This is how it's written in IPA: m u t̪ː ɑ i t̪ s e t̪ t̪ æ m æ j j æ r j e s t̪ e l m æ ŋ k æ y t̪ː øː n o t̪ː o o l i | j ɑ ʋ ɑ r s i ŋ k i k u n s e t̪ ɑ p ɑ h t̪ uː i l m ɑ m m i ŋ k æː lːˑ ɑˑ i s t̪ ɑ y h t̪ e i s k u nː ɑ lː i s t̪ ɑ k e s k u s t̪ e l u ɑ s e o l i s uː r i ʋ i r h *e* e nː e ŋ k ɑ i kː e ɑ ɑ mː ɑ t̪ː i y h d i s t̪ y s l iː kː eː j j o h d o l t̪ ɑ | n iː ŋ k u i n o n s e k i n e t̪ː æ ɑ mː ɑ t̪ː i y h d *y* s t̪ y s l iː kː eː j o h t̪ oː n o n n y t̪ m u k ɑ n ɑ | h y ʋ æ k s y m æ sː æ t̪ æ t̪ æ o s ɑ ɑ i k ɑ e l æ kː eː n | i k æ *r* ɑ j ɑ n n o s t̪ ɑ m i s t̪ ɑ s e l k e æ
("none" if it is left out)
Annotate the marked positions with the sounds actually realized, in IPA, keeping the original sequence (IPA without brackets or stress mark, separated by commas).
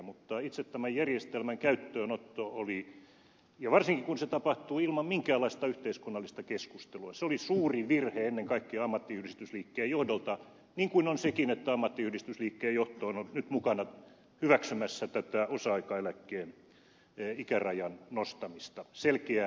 e, i, r